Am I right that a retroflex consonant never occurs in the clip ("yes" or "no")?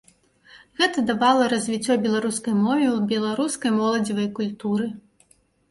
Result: yes